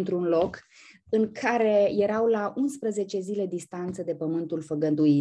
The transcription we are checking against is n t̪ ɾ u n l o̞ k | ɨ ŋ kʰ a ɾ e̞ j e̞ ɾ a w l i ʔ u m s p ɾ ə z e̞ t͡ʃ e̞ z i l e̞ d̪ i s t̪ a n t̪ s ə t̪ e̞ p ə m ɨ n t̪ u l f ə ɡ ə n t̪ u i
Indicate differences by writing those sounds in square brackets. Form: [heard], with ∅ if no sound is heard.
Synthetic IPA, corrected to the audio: n t̪ ɾ u n l o̞ k | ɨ ŋ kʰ a ɾ e̞ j e̞ ɾ a w l [a] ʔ u [n] s p ɾ ə z e̞ t͡ʃ e̞ z i l e̞ d̪ i s t̪ a n t̪ s ə [d̪] e̞ p ə m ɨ n t̪ u l f ə ɡ ə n [d̪] u i